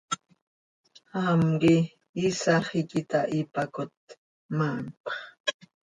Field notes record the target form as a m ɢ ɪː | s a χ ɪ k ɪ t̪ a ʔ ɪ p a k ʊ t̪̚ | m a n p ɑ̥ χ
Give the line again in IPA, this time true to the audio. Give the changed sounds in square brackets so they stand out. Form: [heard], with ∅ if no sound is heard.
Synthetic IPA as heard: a m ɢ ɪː | s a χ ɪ k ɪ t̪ a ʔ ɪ p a k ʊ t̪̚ | m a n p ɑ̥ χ